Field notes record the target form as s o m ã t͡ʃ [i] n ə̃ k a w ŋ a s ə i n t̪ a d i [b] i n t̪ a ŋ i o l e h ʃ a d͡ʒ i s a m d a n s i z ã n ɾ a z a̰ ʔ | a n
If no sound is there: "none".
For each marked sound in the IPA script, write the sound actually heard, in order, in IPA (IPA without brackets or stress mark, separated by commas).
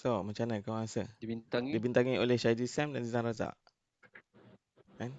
a, b